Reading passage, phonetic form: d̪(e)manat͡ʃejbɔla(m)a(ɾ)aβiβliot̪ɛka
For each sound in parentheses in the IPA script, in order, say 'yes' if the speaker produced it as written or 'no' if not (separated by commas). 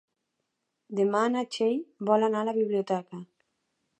yes, no, no